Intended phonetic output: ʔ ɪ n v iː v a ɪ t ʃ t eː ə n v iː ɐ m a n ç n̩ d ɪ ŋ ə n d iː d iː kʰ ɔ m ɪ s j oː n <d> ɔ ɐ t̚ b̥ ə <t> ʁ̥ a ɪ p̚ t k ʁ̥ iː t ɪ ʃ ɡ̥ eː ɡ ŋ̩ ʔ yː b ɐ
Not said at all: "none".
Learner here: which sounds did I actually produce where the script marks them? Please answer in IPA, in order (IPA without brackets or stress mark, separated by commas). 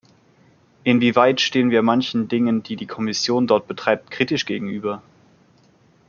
d, t